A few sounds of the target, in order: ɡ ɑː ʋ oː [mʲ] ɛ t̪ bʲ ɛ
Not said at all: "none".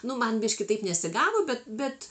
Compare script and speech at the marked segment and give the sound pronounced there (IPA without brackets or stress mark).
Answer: bʲ